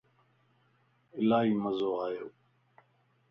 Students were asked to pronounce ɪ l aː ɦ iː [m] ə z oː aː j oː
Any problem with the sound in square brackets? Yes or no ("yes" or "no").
no